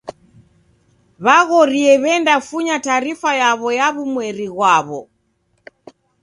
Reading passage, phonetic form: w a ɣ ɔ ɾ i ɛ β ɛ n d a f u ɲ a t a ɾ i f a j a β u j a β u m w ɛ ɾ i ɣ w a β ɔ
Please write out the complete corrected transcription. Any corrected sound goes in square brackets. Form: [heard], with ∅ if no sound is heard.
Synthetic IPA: [β] a ɣ ɔ ɾ i ɛ β ɛ n d a f u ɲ a t a ɾ i f a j a β [ɔ] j a β u m w ɛ ɾ i ɣ w a β ɔ